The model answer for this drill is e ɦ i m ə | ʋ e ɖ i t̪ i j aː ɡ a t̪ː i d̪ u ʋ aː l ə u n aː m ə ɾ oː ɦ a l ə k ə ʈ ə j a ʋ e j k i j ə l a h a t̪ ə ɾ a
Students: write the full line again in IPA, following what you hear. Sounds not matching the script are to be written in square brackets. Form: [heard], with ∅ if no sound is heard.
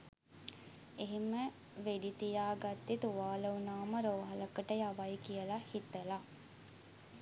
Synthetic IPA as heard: e ɦ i m ə | ʋ e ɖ i t̪ i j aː ɡ a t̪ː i [t̪] u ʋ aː l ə u n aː m ə ɾ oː ɦ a l ə k ə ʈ ə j a ʋ [a] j k i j ə l a h [i] t̪ ə [l] a